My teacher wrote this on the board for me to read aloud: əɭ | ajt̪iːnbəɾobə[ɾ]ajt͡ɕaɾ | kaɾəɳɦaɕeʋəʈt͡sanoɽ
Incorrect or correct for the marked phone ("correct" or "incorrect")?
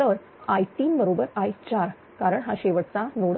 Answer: correct